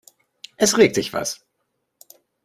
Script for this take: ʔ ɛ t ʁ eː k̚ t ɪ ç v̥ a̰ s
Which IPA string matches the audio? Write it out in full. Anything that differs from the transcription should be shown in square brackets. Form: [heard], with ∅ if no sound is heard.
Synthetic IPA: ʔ ɛ [s] ʁ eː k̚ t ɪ ç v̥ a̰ s